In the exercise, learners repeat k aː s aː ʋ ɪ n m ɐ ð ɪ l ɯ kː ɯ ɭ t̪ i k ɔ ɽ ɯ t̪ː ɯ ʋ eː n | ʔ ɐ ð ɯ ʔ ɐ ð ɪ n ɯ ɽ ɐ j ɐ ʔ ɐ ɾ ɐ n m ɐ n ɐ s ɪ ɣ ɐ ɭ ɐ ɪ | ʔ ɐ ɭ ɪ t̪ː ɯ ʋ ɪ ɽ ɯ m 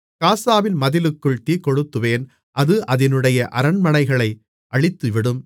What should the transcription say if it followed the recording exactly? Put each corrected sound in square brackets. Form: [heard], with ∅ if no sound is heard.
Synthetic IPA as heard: k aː s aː ʋ ɪ n m ɐ ð ɪ l ɯ kː ɯ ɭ t̪ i k ɔ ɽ ɯ t̪ː ɯ ʋ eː n | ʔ ɐ ð ɯ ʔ ɐ ð ɪ n ɯ ɽ ɐ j ɐ ʔ ɐ ɾ ɐ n m ɐ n ɐ [∅] ɪ ɣ ɐ ɭ ɐ ɪ | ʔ ɐ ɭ ɪ t̪ː ɯ ʋ ɪ ɽ ɯ m